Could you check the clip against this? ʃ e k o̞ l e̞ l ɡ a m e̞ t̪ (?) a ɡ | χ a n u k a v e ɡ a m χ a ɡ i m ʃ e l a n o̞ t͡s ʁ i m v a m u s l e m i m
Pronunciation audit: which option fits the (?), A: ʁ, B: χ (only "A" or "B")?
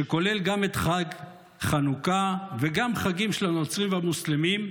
B